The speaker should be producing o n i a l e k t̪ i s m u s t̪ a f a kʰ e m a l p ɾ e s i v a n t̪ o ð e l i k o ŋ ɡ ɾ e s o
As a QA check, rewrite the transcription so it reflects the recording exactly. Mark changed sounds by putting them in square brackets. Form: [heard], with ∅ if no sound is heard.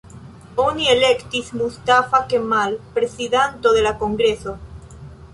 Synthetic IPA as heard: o n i [e] l e k t̪ i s m u s t̪ a f a [k] e m a l p ɾ e s i [ð] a n t̪ o ð e l [a] k o ŋ ɡ ɾ e s o